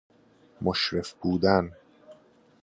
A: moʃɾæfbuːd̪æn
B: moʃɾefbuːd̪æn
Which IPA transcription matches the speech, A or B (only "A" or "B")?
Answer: B